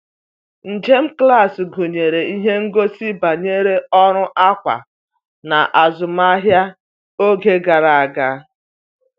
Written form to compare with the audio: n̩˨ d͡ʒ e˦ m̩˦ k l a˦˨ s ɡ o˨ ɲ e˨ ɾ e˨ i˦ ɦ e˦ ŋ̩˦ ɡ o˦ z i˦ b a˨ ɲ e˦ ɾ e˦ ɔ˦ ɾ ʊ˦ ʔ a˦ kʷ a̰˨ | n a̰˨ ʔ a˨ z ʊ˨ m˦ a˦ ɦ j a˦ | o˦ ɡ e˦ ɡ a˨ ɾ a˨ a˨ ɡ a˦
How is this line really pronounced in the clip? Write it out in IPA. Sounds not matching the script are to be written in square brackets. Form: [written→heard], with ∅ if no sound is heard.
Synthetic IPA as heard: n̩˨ d͡ʒ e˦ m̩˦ k l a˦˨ s ɡ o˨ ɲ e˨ ɾ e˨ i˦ ɦ e˦ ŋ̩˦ ɡ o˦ [z→s] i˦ b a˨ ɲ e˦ ɾ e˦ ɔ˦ ɾ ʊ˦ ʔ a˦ kʷ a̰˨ | n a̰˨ ʔ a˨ z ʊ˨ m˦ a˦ ɦ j a˦ | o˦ ɡ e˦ ɡ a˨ ɾ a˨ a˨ ɡ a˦